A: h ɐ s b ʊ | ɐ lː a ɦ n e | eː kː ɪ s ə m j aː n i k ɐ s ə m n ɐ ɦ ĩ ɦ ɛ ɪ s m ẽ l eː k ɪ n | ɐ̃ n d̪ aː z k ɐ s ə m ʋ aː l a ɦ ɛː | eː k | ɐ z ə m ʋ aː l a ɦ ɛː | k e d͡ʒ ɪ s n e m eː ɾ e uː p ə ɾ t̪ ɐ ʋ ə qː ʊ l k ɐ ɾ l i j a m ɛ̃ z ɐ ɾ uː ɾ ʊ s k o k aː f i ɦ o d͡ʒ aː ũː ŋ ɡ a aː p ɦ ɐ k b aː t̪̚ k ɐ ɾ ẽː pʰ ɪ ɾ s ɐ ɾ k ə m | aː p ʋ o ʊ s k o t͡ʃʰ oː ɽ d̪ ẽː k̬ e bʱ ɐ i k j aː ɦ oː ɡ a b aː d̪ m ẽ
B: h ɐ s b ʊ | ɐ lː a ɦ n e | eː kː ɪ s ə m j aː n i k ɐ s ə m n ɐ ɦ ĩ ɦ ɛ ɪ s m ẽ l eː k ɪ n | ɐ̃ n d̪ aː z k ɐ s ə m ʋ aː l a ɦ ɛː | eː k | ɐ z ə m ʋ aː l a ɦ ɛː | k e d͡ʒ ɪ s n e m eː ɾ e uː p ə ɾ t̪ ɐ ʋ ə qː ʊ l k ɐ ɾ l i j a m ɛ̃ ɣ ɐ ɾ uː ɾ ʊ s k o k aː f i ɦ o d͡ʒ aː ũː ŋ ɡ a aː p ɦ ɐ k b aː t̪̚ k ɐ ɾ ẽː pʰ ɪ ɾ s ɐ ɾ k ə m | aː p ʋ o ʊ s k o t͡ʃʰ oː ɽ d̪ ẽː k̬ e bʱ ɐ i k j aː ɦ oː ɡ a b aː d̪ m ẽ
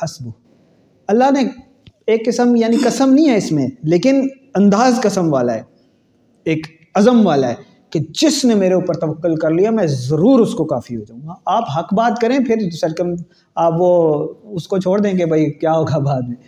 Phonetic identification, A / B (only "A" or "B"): A